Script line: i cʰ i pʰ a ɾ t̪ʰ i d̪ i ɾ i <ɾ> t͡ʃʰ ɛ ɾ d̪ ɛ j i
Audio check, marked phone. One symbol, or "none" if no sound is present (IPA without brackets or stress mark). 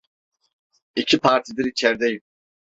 none